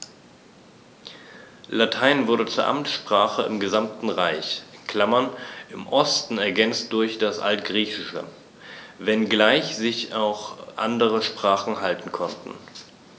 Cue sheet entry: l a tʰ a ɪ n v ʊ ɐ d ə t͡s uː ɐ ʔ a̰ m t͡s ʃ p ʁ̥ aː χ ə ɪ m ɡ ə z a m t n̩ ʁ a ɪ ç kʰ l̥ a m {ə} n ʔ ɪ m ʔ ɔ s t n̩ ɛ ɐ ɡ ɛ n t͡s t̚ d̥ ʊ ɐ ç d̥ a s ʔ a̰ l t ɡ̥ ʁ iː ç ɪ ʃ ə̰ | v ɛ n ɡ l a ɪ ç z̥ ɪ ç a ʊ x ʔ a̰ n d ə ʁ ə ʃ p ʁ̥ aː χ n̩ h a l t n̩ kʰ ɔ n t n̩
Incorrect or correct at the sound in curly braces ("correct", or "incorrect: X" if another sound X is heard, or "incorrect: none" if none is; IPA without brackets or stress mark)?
incorrect: ɐ